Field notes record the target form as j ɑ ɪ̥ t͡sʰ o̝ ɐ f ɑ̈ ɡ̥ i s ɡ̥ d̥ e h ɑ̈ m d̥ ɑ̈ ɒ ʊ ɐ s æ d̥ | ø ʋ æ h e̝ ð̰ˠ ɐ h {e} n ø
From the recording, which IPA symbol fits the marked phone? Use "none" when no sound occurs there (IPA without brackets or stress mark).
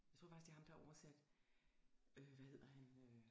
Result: æ